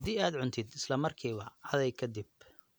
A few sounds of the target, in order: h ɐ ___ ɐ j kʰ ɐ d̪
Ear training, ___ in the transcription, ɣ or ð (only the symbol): ð